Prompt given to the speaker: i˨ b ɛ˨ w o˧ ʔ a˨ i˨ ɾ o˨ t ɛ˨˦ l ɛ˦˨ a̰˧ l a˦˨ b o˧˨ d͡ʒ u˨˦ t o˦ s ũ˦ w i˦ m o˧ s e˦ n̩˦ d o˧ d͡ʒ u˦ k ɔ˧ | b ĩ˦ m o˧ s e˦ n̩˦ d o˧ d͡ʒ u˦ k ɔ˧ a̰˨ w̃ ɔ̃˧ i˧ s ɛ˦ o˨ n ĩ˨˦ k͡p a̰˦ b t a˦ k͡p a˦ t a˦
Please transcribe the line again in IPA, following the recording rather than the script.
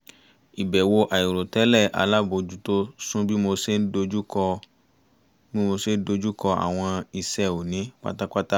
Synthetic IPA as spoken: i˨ b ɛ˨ w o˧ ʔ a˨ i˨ ɾ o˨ t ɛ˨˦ l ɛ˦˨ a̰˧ l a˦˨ b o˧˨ d͡ʒ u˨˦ t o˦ s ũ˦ b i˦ m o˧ s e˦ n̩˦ d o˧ d͡ʒ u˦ k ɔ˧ | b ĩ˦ m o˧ s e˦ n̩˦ d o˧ d͡ʒ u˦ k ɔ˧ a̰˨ w̃ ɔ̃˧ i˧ s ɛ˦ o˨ n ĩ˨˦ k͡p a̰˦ t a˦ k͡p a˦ t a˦

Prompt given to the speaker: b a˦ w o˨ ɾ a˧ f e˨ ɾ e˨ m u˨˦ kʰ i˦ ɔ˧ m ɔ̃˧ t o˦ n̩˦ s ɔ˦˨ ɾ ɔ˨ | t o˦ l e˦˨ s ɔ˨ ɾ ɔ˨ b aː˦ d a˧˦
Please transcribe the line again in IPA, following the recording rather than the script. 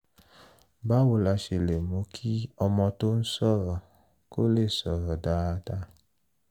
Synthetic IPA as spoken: b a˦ w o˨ l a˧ ʃ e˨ l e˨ m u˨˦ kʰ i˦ ɔ˧ m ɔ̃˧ t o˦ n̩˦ s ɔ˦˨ ɾ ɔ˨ | k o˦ l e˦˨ s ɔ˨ ɾ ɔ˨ d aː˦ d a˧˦

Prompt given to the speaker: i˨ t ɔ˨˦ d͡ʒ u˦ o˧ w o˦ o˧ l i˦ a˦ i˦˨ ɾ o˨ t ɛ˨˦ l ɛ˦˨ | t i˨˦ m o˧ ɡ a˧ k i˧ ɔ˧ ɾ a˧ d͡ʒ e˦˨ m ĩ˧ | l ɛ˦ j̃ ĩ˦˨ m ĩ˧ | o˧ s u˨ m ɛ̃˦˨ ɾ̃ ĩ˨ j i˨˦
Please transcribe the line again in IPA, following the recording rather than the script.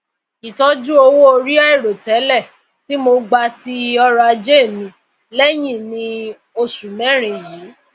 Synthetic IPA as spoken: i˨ t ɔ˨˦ d͡ʒ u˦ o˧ w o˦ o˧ ɾ i˦ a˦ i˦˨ ɾ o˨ t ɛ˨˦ l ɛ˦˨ | t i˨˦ m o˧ ɡ͡b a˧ t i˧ ɔ˧ ɾ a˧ d͡ʒ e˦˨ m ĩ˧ | l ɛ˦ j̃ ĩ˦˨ n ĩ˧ | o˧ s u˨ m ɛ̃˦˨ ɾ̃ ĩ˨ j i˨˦

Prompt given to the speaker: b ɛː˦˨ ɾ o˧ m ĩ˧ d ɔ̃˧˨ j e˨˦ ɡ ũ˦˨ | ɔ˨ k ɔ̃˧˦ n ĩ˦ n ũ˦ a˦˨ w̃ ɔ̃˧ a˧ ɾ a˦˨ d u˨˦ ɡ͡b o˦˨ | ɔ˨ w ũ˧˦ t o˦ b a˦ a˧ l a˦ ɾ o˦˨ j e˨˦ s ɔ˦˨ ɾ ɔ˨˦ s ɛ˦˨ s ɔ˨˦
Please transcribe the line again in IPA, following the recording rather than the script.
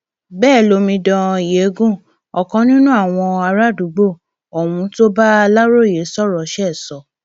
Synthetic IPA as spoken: b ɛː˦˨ l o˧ m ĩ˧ d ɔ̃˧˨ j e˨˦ ɡ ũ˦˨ | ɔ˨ k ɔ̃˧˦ n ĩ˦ n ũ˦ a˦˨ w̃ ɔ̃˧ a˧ ɾ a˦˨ d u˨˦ ɡ͡b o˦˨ | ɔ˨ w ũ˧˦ t o˦ b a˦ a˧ l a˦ ɾ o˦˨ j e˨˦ s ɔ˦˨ ɾ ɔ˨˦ ʃ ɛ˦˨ s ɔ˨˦

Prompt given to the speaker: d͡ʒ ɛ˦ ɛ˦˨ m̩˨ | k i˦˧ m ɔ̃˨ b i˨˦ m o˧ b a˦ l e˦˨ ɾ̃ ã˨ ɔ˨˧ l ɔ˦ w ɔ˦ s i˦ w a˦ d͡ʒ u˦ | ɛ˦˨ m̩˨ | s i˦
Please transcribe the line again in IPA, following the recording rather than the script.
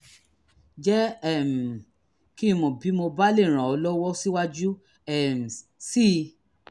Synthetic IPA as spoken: d͡ʒ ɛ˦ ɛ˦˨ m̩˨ | k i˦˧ m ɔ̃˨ b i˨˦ m o˧ b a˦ l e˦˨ ɾ̃ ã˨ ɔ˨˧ l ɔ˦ w ɔ˦ s i˦ w a˦ d͡ʒ u˦ | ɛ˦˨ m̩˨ | s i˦

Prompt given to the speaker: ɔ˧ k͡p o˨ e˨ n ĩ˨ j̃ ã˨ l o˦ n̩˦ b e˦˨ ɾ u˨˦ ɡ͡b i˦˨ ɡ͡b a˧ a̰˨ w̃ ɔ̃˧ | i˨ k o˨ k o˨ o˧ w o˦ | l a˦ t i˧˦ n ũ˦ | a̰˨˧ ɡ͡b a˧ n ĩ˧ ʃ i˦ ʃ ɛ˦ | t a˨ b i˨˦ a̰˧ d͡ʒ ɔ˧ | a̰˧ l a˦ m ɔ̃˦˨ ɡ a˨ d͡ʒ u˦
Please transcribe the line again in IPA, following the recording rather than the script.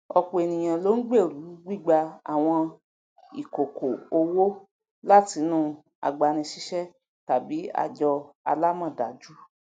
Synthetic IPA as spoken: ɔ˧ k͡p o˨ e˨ n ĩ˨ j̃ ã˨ l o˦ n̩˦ ɡ͡b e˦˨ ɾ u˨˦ ɡ͡b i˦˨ ɡ͡b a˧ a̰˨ w̃ ɔ̃˧ | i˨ k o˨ k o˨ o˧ w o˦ | l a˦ t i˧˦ n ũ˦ | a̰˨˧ ɡ͡b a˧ n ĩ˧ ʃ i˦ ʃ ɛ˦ | t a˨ b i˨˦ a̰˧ d͡ʒ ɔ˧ | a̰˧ l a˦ m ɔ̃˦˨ d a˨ d͡ʒ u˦

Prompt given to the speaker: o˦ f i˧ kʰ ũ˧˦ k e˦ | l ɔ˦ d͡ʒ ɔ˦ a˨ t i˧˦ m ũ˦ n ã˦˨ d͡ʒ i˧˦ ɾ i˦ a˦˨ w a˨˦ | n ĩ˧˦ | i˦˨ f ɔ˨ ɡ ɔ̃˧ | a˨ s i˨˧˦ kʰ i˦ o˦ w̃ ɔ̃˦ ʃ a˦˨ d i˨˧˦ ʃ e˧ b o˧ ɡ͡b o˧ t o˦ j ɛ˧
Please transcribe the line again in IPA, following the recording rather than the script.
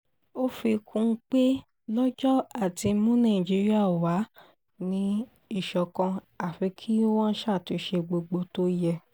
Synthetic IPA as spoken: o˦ f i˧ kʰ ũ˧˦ k͡p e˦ | l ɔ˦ d͡ʒ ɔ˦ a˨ t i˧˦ m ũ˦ n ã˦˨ d͡ʒ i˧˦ ɾ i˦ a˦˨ w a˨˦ | n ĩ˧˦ | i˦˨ ʃ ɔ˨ k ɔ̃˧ | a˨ f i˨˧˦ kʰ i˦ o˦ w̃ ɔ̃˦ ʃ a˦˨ t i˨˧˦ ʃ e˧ ɡ͡b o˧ ɡ͡b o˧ t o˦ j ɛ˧

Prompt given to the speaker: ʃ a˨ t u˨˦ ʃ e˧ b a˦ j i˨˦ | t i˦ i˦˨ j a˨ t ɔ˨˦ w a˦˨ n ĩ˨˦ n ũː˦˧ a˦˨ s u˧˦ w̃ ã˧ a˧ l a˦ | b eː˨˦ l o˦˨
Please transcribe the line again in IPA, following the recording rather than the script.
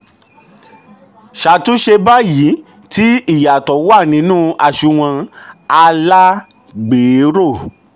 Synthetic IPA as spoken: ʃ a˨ t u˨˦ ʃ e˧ b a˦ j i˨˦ | t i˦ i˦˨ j a˨ t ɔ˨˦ w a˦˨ n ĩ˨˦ n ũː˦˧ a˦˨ ʃ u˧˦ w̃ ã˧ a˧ l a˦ | ɡ͡b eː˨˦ ɾ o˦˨

